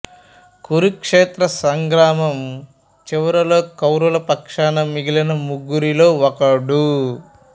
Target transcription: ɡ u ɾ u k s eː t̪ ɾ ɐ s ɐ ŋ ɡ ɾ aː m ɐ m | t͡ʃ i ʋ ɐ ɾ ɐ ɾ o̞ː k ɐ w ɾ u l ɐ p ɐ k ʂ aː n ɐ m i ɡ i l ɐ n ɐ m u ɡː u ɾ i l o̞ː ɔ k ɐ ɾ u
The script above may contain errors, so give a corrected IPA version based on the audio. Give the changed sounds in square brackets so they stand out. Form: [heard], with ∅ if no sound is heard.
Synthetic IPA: [k] u ɾ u k [ʂ] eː t̪ ɾ ɐ s ɐ ŋ ɡ ɾ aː m ɐ m | t͡ʃ i ʋ ɐ ɾ ɐ [l] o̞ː k ɐ w ɾ u l ɐ p ɐ k ʂ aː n ɐ m i ɡ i l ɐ n ɐ m u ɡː u ɾ i l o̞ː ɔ k ɐ [ɽ] u